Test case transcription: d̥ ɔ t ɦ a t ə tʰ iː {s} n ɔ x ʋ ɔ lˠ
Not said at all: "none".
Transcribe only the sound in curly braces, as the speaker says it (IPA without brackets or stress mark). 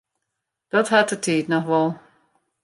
t